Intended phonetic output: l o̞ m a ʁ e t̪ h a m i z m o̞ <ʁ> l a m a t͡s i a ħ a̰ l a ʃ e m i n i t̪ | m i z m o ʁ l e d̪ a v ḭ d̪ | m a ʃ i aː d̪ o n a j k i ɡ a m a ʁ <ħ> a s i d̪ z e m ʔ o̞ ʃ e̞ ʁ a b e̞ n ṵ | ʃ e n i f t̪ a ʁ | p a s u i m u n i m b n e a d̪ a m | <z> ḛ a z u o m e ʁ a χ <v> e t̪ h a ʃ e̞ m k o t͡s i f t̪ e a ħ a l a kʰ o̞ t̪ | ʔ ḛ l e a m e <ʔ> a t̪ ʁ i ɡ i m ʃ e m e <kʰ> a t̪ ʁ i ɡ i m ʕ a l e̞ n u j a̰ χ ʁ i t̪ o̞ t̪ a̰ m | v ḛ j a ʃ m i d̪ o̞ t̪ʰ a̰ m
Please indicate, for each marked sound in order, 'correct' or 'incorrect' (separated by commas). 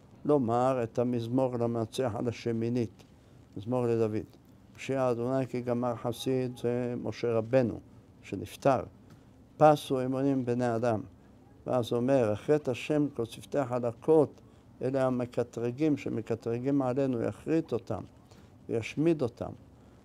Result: correct, correct, incorrect, incorrect, incorrect, incorrect